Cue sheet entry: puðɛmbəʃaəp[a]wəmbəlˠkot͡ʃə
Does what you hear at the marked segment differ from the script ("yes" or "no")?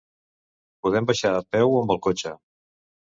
yes